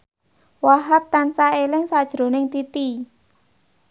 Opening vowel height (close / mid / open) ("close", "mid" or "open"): open